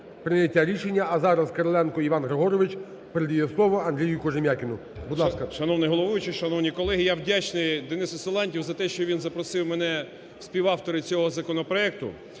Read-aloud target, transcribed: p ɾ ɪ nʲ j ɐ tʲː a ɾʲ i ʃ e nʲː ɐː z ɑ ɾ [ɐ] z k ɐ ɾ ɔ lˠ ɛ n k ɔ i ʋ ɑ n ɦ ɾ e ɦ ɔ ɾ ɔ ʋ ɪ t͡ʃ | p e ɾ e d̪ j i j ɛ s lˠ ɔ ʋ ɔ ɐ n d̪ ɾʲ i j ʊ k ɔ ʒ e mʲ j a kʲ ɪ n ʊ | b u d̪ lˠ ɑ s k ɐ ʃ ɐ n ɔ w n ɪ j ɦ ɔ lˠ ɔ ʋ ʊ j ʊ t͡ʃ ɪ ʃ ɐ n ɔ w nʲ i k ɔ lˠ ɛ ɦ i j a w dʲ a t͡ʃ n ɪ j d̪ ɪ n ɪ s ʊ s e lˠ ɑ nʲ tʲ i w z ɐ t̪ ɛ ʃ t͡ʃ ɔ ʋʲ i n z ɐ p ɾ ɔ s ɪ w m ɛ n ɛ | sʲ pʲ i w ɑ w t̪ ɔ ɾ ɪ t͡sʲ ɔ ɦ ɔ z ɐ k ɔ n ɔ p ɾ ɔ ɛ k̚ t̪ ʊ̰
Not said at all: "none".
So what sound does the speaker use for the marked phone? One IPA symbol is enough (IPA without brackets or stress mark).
ɐ